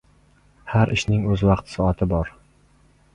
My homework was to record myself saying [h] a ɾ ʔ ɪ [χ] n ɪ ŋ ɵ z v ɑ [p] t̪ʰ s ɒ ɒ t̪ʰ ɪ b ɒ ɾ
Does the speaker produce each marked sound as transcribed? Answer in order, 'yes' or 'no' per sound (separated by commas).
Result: yes, no, no